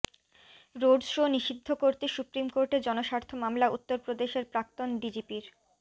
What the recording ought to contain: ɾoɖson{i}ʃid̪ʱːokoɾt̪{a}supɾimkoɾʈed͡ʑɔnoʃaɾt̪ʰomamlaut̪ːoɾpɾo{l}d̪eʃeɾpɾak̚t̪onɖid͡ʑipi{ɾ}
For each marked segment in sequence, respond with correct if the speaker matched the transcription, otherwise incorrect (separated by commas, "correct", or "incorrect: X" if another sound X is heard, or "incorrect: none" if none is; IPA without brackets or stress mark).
correct, incorrect: e, incorrect: none, correct